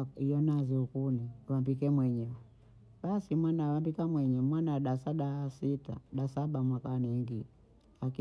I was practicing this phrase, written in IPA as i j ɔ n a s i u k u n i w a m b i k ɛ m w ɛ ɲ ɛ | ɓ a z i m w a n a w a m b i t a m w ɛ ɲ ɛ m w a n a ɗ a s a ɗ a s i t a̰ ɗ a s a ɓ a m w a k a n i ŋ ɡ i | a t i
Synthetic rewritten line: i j ɔ n a z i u k u n i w a m b i k ɛ m w ɛ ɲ ɛ | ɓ a s i m w a n a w a m b i k a m w ɛ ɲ ɛ m w a n a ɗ a s a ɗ a s i t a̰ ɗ a s a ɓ a m w a k a n i ŋ ɡ i | a k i